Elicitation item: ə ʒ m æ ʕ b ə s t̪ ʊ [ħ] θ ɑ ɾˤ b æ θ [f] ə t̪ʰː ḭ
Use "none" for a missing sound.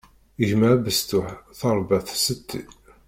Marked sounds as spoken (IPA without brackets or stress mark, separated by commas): ħ, s